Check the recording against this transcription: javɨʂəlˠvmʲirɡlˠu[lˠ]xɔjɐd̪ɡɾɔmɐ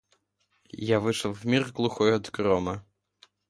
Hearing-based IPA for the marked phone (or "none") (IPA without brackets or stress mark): none